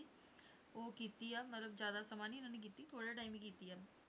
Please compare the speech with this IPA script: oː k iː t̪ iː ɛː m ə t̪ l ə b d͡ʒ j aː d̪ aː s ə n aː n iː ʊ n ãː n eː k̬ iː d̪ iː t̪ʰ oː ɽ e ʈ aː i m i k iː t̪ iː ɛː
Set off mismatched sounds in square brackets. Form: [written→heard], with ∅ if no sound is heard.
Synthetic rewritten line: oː k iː t̪ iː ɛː m ə t̪ l ə b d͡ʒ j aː d̪ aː s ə [n→m] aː n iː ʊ n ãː n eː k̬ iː [d̪→t̪] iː t̪ʰ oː ɽ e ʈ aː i m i k iː t̪ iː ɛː